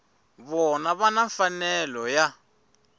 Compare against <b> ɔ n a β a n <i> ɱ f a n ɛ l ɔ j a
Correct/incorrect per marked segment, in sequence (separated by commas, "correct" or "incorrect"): incorrect, incorrect